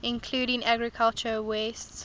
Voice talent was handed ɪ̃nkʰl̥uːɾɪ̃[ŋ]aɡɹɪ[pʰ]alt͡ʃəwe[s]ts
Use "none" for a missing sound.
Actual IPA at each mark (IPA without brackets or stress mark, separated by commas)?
ŋ, kʰ, s